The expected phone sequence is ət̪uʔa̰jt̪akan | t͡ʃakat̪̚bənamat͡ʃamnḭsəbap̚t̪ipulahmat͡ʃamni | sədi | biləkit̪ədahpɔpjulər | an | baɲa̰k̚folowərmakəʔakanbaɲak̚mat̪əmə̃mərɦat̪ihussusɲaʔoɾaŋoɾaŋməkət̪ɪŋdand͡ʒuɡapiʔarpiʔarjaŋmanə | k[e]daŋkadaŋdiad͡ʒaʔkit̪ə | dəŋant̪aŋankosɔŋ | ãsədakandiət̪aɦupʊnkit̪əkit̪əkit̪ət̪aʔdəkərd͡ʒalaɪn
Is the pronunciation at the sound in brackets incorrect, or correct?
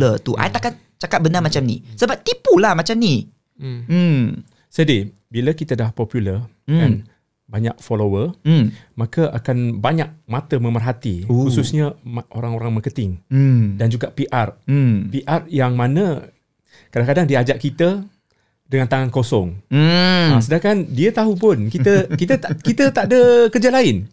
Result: incorrect